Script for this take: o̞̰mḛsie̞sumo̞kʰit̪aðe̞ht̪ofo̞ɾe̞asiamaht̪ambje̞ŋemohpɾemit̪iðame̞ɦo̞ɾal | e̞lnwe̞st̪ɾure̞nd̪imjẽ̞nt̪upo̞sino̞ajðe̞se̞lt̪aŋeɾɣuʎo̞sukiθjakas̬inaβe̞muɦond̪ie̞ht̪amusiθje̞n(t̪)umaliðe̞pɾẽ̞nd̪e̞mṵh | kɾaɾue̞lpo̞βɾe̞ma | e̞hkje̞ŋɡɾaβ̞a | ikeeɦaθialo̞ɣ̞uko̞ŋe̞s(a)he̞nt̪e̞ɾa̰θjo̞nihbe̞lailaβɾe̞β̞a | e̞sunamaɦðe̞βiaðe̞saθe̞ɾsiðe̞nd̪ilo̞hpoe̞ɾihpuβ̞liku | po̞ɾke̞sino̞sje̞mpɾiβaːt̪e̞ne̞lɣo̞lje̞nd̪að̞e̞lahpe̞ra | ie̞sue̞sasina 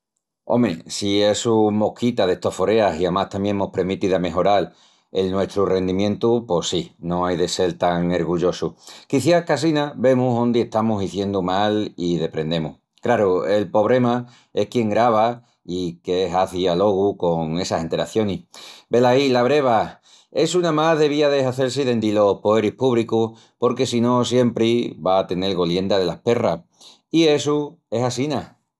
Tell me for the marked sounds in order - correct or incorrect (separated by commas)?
incorrect, correct